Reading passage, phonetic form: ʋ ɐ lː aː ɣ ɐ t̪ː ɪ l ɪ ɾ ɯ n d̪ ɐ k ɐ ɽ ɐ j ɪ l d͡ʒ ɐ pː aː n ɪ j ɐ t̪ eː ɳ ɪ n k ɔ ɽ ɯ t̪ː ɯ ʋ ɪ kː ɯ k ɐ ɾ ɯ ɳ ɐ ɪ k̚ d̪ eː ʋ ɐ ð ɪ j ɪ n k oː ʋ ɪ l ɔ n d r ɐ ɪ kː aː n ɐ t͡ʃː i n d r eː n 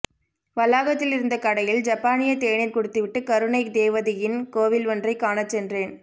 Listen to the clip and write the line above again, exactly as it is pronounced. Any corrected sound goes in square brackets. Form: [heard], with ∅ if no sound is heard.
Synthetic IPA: ʋ ɐ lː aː ɣ ɐ t̪ː ɪ l ɪ ɾ ɯ n d̪ ɐ k ɐ ɽ ɐ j ɪ l d͡ʒ ɐ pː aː n ɪ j ɐ t̪ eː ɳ ɪ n k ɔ ɽ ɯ t̪ː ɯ ʋ ɪ [ʈː] ɯ k ɐ ɾ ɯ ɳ ɐ ɪ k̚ d̪ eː ʋ ɐ ð ɪ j ɪ n k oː ʋ ɪ l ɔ n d r ɐ ɪ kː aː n ɐ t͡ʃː [ɛ] n d r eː n